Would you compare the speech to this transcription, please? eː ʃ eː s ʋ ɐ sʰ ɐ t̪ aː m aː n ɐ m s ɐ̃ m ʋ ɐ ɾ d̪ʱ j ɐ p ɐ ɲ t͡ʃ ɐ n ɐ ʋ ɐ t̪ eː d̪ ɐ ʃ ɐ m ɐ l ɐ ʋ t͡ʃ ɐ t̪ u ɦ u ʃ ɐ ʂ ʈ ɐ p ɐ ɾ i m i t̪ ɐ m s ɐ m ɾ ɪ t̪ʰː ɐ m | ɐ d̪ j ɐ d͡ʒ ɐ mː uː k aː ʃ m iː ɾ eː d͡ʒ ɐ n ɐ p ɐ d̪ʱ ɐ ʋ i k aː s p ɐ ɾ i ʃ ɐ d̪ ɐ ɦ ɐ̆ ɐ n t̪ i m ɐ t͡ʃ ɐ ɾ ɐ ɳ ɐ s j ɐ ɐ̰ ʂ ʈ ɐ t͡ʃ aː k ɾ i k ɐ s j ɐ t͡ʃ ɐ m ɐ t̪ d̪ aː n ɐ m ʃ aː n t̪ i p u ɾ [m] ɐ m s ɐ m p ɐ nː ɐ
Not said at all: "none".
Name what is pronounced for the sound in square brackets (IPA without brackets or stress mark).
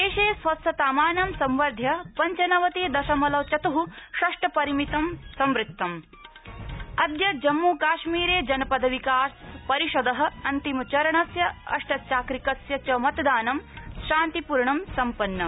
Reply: ɳ